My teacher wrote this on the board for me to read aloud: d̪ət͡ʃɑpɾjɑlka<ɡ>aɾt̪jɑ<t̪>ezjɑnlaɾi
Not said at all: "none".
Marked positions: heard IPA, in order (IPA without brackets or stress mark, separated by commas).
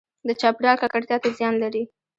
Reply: k, t̪